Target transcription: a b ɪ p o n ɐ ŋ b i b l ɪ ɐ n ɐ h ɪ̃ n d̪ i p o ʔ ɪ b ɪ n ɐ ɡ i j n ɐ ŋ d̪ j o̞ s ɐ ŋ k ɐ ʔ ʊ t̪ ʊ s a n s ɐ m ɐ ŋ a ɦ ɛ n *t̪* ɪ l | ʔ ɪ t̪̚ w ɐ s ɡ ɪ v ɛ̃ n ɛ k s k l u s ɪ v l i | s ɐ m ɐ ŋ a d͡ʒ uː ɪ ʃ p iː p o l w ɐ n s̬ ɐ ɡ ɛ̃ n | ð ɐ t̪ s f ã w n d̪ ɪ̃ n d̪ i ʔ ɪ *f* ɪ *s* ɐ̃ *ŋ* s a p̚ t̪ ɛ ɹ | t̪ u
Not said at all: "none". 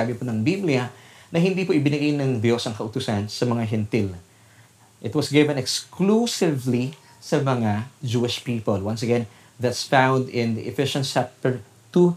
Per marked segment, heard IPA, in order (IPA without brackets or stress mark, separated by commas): t̪, f, ʃ, n